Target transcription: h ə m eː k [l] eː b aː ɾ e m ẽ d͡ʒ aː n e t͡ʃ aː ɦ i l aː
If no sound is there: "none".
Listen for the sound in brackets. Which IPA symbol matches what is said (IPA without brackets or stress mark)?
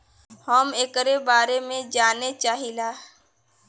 ɾ